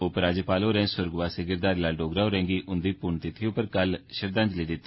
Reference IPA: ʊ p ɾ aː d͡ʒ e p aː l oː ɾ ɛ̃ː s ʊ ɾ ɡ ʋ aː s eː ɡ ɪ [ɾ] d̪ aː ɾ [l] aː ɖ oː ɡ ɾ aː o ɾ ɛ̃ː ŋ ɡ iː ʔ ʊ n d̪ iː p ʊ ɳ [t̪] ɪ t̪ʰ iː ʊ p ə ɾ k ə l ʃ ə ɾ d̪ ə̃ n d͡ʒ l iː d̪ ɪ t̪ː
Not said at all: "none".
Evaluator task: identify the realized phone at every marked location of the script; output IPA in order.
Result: ɾ, l, t̪

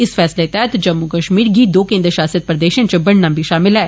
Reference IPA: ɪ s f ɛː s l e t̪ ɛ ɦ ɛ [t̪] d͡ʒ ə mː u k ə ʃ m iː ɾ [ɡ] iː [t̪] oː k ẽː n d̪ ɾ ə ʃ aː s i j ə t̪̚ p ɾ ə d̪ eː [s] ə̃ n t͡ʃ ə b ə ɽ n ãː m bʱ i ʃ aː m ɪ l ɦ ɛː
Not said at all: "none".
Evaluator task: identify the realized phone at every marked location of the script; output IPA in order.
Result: t̪, ɡ, d̪, ʃ

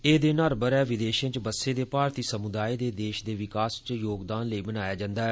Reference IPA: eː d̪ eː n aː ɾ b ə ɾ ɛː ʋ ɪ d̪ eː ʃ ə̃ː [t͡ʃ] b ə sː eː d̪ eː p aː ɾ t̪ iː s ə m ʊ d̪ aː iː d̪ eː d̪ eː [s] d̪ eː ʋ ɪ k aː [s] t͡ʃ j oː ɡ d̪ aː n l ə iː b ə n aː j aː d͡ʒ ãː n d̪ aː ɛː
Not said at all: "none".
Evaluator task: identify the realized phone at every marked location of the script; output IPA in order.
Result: t͡ʃ, ʃ, s

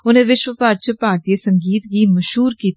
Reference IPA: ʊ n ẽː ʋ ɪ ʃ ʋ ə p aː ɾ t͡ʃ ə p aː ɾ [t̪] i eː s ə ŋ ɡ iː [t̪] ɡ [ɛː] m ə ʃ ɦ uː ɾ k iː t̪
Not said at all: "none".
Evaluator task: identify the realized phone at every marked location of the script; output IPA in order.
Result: t̪, t̪, iː

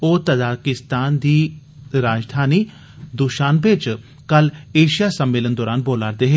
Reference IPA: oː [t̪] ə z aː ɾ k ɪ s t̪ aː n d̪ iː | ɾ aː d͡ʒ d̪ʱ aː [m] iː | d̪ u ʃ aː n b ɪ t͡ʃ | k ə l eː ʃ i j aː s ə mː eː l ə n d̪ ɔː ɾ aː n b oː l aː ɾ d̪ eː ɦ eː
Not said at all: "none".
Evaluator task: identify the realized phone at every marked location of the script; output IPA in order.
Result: t̪, n

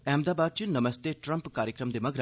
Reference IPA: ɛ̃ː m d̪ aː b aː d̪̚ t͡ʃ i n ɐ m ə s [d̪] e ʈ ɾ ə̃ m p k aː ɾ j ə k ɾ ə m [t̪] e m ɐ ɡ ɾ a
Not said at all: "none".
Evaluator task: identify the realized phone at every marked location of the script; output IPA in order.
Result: t̪, d̪

